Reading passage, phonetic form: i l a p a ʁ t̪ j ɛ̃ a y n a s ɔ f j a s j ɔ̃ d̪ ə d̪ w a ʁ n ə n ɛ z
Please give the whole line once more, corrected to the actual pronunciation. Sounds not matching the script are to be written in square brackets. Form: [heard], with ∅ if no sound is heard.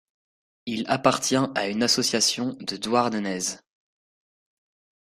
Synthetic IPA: i l a p a ʁ t̪ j ɛ̃ a y n a s ɔ [s] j a s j ɔ̃ d̪ ə d̪ w a ʁ n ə n ɛ z